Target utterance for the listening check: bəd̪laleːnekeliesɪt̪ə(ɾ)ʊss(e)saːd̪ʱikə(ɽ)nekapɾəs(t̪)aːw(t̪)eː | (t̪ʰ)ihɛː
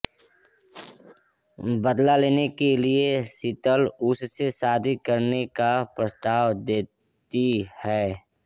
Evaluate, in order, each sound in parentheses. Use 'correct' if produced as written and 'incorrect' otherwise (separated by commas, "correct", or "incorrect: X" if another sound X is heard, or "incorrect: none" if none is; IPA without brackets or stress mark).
incorrect: l, correct, incorrect: ɾ, correct, incorrect: d̪, incorrect: t̪